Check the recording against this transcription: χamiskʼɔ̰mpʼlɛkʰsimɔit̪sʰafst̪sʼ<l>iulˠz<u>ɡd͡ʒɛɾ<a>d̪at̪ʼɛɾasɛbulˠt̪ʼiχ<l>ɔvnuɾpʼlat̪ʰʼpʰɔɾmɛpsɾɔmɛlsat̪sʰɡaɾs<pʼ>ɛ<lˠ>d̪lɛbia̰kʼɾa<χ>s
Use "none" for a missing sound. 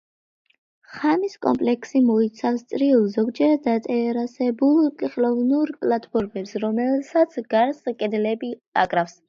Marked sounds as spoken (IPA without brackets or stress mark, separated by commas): ɾ, ɔ, a, l, kʼ, none, f